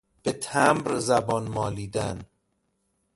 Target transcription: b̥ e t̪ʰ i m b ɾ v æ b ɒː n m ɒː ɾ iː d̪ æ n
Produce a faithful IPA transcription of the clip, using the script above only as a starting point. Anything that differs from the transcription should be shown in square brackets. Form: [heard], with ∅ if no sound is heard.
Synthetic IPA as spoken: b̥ e t̪ʰ [æ] m b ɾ [z] æ b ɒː n m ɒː [l] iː d̪ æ n